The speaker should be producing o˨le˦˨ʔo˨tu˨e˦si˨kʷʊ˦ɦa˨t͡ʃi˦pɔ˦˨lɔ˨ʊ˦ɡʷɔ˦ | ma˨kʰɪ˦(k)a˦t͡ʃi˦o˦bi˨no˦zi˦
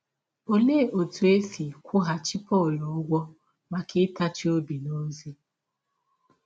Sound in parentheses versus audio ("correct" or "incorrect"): incorrect